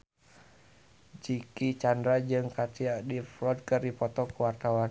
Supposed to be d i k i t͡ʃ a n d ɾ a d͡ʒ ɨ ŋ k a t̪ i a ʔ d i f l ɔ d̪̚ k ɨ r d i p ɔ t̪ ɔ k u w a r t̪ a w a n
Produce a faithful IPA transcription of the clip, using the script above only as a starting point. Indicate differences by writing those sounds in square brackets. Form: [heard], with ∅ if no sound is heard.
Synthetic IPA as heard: [d͡ʒ] i k i t͡ʃ a n d ɾ a d͡ʒ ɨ ŋ k a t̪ i a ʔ d i f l ɔ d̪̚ k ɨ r d i p ɔ t̪ ɔ k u w a r t̪ a w a n